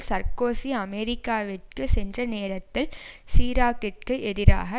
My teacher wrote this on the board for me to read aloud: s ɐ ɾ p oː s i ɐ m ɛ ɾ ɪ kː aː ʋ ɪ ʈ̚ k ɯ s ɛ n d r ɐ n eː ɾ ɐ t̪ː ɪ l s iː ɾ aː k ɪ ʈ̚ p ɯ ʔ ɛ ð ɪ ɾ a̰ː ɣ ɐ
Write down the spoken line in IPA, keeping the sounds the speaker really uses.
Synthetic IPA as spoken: s ɐ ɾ k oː s i ɐ m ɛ ɾ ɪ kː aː ʋ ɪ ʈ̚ k ɯ s ɛ n d r ɐ n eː ɾ ɐ t̪ː ɪ l s iː ɾ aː k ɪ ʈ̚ k ɯ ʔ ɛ ð ɪ ɾ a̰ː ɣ ɐ